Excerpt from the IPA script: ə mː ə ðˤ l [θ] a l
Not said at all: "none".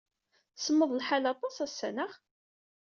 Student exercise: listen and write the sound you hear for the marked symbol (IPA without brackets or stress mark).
ħ